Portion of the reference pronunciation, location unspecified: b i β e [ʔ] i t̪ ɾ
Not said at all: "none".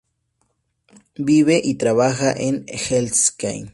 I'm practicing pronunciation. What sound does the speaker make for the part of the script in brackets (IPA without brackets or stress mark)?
ʔ